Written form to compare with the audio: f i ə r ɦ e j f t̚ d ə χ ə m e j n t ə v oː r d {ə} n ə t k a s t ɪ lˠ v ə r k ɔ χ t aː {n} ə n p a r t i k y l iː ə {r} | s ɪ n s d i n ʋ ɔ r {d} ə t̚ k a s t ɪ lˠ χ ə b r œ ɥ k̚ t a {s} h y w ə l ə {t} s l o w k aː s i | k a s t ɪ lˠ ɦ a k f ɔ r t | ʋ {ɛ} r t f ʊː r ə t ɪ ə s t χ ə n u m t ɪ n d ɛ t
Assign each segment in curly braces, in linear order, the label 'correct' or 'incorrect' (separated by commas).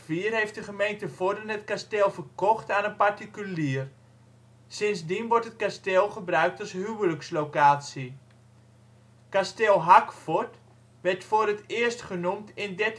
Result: correct, correct, correct, incorrect, correct, incorrect, correct